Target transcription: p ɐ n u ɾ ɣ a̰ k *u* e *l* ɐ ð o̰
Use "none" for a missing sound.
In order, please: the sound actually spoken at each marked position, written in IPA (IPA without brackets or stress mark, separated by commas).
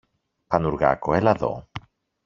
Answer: o, l